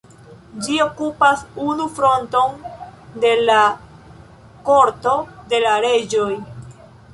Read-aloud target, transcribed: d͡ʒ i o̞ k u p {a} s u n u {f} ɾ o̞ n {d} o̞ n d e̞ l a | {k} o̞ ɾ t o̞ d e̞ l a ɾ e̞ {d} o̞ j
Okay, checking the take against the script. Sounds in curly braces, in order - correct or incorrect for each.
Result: correct, correct, incorrect, correct, incorrect

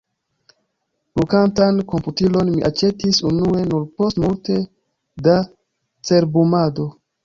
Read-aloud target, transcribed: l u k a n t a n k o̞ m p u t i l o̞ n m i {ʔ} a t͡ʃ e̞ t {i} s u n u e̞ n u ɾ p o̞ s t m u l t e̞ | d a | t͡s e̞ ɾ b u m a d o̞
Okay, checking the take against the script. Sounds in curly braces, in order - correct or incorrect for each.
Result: correct, correct

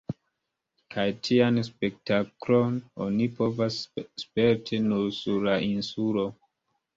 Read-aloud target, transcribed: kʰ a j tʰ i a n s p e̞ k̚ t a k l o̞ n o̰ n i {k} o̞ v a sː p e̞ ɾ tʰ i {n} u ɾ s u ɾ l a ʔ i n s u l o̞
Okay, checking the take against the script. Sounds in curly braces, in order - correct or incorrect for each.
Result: incorrect, correct

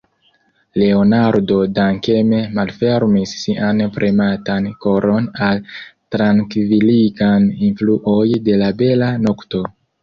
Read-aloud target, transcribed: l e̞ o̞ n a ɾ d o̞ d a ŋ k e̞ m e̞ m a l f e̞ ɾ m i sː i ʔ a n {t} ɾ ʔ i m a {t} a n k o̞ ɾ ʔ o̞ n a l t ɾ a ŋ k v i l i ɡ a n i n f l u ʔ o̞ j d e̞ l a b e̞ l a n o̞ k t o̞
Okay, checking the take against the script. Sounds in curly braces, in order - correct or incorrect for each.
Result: incorrect, correct

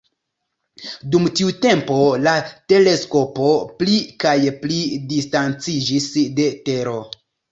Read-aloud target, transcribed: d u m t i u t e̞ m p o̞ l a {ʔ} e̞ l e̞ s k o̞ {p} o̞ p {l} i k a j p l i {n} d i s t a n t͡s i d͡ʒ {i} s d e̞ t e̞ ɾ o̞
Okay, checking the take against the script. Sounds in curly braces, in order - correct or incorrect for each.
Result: incorrect, correct, correct, incorrect, correct

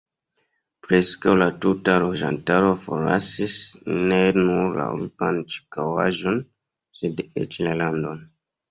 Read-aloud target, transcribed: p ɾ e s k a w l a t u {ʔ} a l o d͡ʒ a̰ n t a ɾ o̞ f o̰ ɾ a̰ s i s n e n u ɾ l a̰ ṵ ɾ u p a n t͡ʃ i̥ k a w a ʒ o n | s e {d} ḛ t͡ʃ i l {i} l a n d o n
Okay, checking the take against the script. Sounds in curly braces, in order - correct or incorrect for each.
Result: incorrect, correct, incorrect

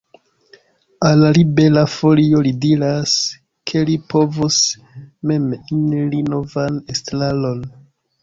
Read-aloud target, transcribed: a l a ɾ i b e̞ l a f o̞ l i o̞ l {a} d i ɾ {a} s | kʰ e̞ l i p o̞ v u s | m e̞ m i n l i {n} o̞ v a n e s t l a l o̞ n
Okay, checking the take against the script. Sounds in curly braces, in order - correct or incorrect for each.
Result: incorrect, correct, correct

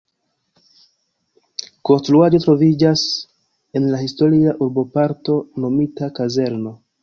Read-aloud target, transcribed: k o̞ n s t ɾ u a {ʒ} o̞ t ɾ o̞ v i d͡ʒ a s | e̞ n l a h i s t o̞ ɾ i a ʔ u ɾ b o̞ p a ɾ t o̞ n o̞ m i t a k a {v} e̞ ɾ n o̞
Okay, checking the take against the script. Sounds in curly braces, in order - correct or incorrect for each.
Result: incorrect, incorrect

